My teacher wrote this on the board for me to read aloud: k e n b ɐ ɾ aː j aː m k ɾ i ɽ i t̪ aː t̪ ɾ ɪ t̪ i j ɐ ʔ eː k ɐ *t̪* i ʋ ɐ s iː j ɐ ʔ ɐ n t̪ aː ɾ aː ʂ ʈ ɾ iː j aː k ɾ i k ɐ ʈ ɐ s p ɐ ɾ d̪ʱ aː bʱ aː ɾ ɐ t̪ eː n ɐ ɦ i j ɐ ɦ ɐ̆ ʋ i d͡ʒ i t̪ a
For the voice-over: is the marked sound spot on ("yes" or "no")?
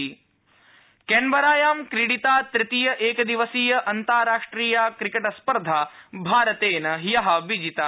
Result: no